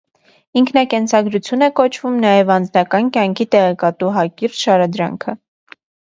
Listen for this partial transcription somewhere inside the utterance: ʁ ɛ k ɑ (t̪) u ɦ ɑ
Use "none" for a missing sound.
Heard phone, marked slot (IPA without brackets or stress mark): t̪